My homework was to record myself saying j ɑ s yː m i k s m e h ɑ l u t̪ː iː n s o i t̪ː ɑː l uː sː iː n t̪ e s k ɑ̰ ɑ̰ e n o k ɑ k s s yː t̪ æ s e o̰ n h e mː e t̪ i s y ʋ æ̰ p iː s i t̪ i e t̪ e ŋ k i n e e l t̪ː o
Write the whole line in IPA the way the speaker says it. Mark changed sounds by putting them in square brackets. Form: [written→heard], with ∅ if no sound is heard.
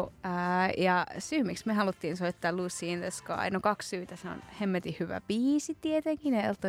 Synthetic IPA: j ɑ s yː m i k s m e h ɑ l u t̪ː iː n s o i t̪ː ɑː l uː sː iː n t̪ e s k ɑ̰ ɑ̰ [e→i] n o k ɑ k s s yː t̪ æ s e o̰ n h e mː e t̪ i [s→h] y ʋ æ̰ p iː s i t̪ i e t̪ e ŋ k i n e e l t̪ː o